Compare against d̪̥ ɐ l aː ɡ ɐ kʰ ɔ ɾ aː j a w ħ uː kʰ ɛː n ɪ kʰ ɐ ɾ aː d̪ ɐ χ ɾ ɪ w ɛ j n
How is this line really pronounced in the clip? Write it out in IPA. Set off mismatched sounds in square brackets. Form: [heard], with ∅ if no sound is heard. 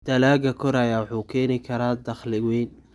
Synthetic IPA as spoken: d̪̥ ɐ l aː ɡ ɐ kʰ ɔ ɾ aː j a w ħ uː kʰ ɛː n ɪ kʰ ɐ ɾ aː d̪ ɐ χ [l] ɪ w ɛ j n